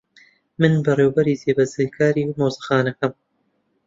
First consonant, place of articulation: labial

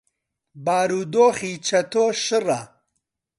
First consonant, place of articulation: labial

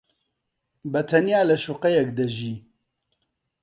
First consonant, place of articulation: labial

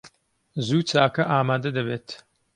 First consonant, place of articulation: alveolar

